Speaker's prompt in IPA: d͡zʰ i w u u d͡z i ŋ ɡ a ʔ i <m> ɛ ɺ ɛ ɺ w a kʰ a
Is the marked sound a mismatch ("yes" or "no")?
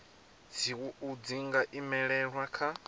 no